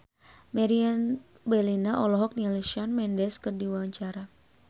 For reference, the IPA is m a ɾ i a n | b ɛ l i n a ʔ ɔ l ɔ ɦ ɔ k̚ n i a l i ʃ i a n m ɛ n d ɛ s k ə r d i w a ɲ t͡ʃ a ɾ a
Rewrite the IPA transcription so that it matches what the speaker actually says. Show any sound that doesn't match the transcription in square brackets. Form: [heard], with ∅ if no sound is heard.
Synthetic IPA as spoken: m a ɾ i a n | b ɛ l i n a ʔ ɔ l ɔ ɦ ɔ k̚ n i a l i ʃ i a n m ɛ n d ɛ s k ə r d i w a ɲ t͡ʃ a ɾ a